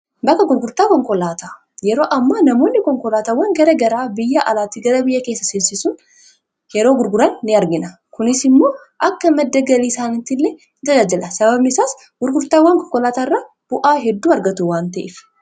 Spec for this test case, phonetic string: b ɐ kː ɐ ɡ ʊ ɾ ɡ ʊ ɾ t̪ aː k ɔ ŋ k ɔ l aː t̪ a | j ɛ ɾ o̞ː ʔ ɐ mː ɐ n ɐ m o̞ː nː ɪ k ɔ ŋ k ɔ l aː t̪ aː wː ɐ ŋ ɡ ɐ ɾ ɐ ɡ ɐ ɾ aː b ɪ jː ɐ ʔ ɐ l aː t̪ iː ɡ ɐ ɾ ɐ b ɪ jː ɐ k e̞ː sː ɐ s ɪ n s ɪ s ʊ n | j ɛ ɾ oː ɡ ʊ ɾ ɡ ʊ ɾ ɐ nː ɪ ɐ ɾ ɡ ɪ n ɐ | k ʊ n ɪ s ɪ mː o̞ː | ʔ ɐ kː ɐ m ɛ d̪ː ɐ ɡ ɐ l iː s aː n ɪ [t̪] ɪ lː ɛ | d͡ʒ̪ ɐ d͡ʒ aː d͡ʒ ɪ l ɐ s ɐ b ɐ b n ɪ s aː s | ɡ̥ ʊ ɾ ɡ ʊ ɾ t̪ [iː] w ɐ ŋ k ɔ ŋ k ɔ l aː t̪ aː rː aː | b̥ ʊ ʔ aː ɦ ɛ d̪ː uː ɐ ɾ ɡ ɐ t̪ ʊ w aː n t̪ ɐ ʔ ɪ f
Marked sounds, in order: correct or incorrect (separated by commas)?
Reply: correct, incorrect